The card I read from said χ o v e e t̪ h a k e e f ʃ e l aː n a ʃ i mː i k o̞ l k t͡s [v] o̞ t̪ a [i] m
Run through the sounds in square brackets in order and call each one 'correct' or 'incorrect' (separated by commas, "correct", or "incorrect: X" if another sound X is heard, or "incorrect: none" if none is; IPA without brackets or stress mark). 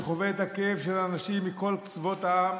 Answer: correct, incorrect: a